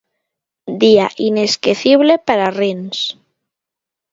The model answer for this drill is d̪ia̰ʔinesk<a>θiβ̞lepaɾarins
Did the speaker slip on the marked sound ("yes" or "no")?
yes